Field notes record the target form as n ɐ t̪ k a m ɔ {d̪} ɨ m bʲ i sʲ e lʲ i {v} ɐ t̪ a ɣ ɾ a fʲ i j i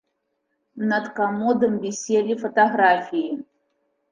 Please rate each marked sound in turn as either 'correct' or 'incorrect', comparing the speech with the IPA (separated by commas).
correct, incorrect